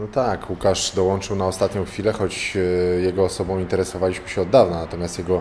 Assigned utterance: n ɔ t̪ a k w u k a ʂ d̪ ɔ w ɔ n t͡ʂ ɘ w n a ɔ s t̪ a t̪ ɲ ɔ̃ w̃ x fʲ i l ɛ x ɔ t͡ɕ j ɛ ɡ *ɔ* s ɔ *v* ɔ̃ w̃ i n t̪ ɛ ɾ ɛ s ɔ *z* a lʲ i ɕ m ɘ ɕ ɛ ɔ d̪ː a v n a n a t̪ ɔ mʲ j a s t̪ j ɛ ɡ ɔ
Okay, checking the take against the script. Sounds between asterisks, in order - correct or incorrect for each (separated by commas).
incorrect, incorrect, incorrect